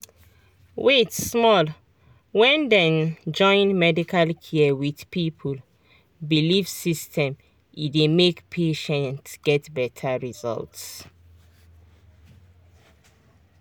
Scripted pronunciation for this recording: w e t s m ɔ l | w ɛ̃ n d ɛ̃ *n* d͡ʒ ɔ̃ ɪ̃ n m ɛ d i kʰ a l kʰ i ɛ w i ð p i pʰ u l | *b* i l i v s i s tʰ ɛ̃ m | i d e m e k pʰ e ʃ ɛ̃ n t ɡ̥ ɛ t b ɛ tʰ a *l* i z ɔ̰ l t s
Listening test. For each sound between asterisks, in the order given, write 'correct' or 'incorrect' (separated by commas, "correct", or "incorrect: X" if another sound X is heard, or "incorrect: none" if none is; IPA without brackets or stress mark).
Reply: correct, correct, incorrect: ɹ